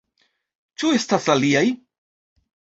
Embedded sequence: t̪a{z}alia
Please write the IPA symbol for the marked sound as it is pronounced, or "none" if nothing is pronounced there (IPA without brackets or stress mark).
s